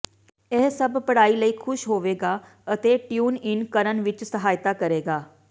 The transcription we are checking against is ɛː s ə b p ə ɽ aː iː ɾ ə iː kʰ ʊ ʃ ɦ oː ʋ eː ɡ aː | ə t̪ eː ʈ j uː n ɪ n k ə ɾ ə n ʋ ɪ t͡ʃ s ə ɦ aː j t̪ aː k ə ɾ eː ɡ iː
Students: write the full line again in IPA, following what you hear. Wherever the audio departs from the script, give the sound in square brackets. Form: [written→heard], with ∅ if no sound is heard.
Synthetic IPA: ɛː s ə b p ə ɽ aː iː [ɾ→l] ə iː kʰ ʊ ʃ ɦ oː ʋ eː ɡ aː | ə t̪ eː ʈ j uː n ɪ n k ə ɾ ə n ʋ ɪ t͡ʃ s ə ɦ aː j t̪ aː k ə ɾ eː ɡ [iː→aː]